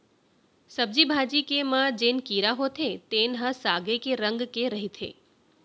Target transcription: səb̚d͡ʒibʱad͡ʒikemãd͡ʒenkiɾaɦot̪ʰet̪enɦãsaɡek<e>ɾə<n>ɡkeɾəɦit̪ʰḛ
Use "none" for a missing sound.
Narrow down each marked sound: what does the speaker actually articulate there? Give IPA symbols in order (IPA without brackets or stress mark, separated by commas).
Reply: e, ŋ